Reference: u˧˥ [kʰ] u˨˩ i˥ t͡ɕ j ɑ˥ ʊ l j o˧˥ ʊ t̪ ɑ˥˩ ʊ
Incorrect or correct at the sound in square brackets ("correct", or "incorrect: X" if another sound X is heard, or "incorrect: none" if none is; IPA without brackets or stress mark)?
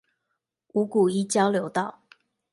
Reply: incorrect: k